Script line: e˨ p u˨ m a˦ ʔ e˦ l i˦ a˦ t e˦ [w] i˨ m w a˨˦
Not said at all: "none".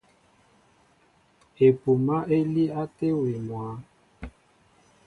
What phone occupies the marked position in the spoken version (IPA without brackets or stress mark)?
w